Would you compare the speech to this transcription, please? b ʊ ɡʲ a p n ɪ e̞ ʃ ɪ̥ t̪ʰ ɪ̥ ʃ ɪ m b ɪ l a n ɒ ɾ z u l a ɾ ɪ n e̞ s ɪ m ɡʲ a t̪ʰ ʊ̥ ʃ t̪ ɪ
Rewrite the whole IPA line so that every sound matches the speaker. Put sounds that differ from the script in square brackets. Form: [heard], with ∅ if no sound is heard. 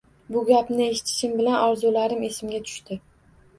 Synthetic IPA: b ʊ ɡʲ a p n ɪ e̞ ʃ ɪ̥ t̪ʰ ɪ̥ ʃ ɪ m b ɪ l a n ɒ ɾ z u l a ɾ ɪ [m] e̞ s ɪ m ɡʲ a t̪ʰ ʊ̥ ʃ t̪ ɪ